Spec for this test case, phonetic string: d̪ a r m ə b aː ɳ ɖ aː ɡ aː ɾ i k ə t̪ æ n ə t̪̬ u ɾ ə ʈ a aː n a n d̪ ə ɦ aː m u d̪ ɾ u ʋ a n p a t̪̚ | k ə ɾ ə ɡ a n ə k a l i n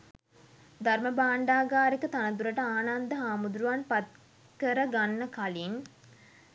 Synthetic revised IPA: d̪ a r m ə b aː ɳ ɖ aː ɡ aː ɾ i k ə t̪ a n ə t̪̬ u ɾ ə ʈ ə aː n a n d̪ ə ɦ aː m u d̪ ɾ u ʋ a n p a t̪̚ | k ə ɾ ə ɡ a nː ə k a l i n

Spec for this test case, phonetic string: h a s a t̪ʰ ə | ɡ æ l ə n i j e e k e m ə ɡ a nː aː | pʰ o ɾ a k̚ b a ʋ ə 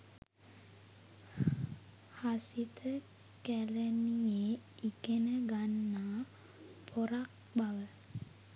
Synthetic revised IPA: h a s i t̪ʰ ə | k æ l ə n i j e i k e n ə ɡ a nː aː | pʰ o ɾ a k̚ b a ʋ ə

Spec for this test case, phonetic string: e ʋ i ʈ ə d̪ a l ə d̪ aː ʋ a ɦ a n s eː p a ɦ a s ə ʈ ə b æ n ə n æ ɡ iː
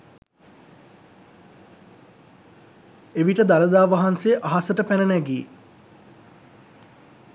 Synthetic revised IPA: e ʋ i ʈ ə d̪ a l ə d̪ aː ʋ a ɦ a n s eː ʔ a ɦ a s ə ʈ ə p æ n ə n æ ɡ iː

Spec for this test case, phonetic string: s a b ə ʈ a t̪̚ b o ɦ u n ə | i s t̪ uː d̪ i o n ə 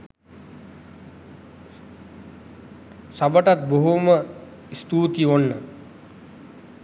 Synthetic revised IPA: s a b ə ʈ a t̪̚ b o ɦ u m ə | i s t̪ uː t̪ i o nː ə

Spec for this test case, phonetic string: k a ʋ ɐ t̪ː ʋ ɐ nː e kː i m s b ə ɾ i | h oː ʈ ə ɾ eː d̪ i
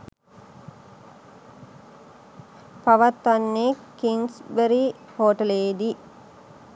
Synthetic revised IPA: p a ʋ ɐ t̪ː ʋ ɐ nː e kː i ŋ s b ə ɾ i | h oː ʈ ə l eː d̪ i

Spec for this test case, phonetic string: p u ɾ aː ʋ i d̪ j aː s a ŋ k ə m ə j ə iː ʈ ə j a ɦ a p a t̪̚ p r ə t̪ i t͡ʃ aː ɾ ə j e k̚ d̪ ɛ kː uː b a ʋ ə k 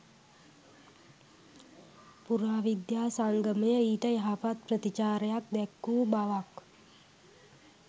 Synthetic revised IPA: p u ɾ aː ʋ i d̪ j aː s a ŋ ɡ ə m ə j ə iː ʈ ə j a ɦ a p a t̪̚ p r ə t̪ i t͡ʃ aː ɾ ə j a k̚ d̪ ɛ kː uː b a ʋ a k

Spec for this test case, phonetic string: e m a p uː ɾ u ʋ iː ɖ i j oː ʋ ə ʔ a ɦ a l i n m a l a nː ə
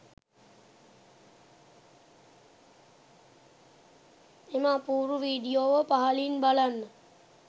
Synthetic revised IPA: e m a p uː ɾ u ʋ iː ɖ i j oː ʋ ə p a ɦ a l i n b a l a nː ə

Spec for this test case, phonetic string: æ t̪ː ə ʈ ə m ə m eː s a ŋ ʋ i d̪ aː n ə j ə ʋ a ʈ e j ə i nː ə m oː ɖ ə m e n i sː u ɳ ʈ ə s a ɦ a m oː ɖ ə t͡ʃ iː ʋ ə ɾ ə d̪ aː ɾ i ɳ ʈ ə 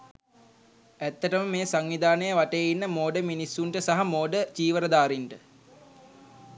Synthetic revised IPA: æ t̪ː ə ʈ ə m ə m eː s a ŋ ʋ i d̪ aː n ə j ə ʋ a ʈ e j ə i nː ə m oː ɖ ə m i n i sː u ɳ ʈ ə s a ɦ a m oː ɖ ə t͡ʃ iː ʋ ə ɾ ə d̪ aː ɾ i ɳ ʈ ə

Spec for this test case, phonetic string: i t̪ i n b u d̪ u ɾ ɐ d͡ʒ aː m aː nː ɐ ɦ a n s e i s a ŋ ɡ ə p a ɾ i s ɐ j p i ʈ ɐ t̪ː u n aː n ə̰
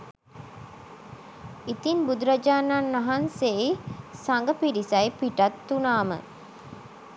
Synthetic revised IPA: i t̪ i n b u d̪ u ɾ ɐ d͡ʒ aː n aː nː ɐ ɦ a n s e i s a ŋ ɡ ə p i ɾ i s ɐ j p i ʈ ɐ t̪ː u n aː m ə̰

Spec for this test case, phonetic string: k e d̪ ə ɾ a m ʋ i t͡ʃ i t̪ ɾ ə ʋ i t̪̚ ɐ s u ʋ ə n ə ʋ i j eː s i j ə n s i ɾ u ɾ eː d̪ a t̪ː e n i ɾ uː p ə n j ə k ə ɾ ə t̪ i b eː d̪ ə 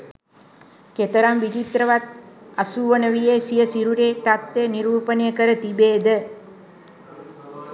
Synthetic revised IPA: k e t̪ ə ɾ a m ʋ i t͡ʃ i t̪ ɾ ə ʋ a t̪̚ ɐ s u ʋ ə n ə ʋ i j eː s i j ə s i ɾ u ɾ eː t̪ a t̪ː e n i ɾ uː p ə n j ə k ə ɾ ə t̪ i b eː d̪ ə

